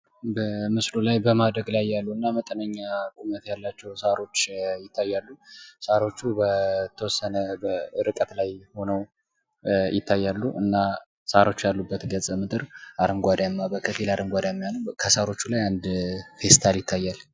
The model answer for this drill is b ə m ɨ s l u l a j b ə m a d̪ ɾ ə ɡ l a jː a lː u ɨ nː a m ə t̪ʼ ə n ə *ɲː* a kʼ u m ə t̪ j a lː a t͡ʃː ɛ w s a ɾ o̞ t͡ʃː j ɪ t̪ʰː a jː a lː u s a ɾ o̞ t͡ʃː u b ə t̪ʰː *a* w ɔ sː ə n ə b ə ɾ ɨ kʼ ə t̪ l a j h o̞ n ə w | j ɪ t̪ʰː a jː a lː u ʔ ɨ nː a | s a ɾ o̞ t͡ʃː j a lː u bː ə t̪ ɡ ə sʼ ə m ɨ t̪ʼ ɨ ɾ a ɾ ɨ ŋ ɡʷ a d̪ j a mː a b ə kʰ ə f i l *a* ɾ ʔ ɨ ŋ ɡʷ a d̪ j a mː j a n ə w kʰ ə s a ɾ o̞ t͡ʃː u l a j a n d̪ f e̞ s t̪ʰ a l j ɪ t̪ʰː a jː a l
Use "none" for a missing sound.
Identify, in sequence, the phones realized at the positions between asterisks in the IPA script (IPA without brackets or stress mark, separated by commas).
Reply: ɲː, ə, a